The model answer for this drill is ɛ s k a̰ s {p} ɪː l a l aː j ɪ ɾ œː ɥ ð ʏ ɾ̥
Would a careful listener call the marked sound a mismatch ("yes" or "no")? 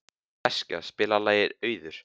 no